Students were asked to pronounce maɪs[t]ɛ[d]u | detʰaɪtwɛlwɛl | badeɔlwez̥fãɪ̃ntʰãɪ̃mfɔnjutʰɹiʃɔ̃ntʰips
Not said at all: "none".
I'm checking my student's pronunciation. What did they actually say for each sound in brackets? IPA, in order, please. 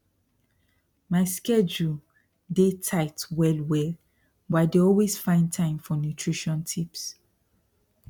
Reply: k, d͡ʒ

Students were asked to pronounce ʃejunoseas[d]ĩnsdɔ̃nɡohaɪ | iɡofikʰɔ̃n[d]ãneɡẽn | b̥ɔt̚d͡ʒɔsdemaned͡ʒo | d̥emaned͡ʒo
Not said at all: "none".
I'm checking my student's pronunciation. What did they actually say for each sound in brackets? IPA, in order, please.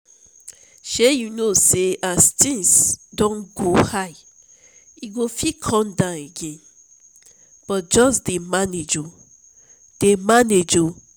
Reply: t, d

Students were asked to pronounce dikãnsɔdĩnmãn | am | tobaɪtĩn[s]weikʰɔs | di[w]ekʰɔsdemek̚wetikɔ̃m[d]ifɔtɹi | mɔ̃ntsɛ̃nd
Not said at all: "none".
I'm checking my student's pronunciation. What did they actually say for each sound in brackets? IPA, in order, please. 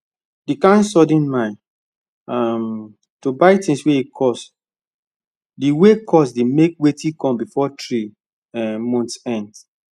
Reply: s, w, b

